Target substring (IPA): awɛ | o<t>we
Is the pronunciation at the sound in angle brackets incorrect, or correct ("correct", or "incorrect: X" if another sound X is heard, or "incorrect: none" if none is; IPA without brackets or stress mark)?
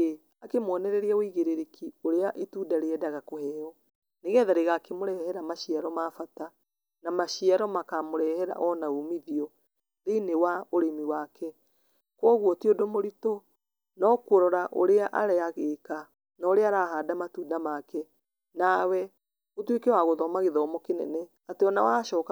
correct